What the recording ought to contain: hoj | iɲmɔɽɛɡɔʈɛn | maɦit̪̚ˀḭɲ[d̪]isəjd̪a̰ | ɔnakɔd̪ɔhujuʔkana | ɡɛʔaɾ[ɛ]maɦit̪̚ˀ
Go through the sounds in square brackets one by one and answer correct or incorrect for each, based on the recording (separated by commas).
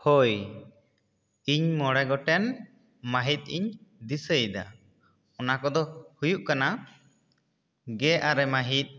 correct, correct